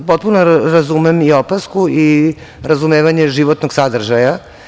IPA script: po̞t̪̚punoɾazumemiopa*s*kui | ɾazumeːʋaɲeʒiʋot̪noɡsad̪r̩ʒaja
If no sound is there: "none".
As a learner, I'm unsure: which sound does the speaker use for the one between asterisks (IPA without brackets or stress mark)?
s